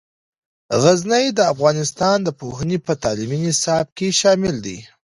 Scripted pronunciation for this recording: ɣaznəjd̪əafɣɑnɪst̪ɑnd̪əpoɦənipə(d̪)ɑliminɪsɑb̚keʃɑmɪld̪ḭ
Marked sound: incorrect: t̪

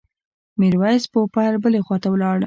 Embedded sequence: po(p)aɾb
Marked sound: correct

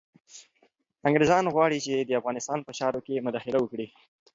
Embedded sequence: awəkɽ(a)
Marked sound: incorrect: i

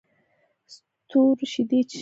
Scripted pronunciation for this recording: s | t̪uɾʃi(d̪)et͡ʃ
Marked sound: correct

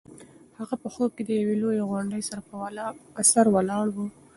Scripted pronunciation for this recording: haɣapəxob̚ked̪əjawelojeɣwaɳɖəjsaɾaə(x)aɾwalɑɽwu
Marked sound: incorrect: s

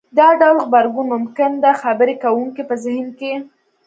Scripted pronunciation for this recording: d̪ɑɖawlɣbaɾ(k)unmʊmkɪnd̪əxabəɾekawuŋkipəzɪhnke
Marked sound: incorrect: ɡ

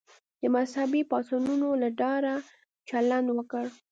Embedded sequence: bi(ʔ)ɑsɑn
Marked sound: incorrect: p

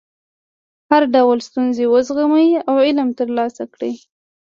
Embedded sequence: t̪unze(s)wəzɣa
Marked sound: incorrect: none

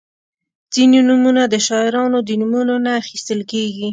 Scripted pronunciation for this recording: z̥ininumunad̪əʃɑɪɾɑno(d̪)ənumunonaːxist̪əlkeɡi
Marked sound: correct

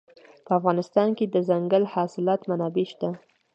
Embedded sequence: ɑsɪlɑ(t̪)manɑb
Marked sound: correct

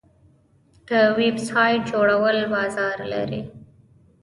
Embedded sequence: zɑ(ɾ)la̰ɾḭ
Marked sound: correct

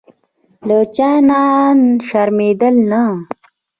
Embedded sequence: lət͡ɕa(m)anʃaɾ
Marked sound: incorrect: n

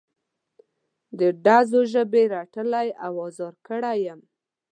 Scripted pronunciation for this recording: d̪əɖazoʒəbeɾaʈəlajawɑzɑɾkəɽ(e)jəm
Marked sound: incorrect: a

